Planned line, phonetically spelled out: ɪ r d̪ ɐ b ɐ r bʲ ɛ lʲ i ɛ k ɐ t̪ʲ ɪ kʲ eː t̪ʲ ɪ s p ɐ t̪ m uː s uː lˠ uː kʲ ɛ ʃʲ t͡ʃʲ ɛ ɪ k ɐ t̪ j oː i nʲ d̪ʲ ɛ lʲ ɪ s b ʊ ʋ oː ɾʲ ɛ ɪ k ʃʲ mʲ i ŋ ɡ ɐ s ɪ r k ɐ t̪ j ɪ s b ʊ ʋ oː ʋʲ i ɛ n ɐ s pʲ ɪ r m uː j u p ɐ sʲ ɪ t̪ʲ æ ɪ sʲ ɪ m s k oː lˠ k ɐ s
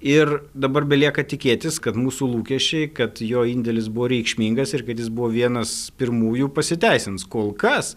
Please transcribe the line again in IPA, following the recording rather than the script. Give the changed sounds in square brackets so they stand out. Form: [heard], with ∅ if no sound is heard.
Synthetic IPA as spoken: ɪ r d̪ ɐ b ɐ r bʲ ɛ lʲ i ɛ k ɐ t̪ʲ ɪ kʲ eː t̪ʲ ɪ s [k] ɐ t̪ m uː s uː lˠ uː kʲ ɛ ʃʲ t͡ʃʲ ɛ ɪ k ɐ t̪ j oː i nʲ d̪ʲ ɛ lʲ ɪ s b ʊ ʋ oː ɾʲ ɛ ɪ k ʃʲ mʲ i ŋ ɡ ɐ s ɪ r k ɐ t̪ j ɪ s b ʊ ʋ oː ʋʲ i ɛ n ɐ s pʲ ɪ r m uː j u p ɐ sʲ ɪ t̪ʲ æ ɪ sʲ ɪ [n] s k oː lˠ k ɐ s